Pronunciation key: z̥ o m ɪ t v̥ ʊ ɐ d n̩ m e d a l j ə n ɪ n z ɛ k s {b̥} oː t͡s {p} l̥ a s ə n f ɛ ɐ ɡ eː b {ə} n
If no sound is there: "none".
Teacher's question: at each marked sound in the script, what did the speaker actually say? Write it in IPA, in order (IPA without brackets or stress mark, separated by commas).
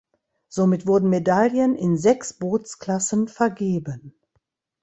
b̥, k, ə